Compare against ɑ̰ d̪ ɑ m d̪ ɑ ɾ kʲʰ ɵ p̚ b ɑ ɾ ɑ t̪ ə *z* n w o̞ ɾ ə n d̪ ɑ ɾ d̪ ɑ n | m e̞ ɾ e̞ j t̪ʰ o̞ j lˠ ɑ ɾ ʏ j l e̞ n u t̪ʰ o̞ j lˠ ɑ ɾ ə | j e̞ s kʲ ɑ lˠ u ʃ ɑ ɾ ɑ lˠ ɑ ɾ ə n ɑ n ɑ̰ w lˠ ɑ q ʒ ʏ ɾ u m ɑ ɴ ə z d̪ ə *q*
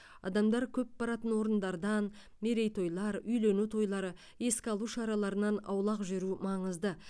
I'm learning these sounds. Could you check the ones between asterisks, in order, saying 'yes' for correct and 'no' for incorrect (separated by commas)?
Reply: no, no